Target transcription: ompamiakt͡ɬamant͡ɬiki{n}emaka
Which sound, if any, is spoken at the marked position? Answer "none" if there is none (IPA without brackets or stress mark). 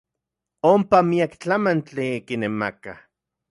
n